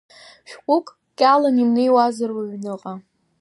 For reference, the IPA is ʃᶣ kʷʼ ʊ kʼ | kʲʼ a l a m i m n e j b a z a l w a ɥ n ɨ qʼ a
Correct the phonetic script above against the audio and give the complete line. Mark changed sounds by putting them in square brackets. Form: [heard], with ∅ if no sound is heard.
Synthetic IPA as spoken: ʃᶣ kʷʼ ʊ kʼ | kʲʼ a l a m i m n e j [w] a z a [r] w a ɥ n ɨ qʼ a